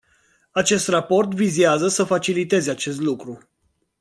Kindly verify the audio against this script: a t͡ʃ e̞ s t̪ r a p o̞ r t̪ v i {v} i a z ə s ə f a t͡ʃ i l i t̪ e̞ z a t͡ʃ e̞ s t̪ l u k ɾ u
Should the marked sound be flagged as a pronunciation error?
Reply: yes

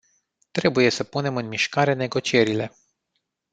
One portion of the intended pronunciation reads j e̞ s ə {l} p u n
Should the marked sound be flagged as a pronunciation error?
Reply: yes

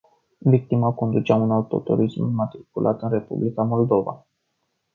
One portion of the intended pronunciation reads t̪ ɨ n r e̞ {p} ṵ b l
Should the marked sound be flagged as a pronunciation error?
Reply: no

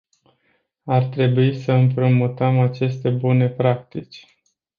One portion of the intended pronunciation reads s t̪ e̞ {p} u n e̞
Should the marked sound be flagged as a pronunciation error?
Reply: yes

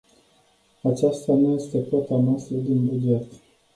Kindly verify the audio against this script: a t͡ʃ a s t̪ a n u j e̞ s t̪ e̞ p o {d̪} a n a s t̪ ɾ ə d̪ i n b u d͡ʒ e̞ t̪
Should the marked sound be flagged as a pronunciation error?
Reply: yes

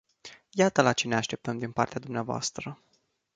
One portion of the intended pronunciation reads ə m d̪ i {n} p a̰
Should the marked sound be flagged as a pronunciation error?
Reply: no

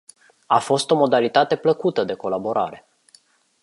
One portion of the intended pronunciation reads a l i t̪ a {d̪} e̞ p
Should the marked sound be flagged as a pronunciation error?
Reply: yes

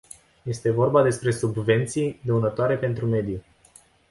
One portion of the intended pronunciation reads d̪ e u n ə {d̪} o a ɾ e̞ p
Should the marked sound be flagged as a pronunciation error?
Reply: yes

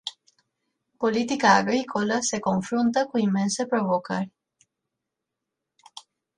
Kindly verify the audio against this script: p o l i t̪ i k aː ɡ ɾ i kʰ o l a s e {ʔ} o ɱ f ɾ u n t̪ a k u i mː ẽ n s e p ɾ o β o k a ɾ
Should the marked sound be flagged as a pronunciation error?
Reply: yes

